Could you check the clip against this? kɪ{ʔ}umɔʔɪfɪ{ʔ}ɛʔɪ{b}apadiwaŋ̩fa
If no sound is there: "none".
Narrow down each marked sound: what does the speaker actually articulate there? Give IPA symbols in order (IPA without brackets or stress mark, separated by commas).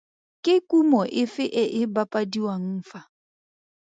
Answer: k, ʔ, b